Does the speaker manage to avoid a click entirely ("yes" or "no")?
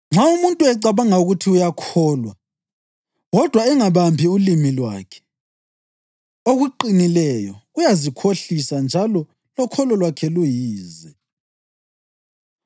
no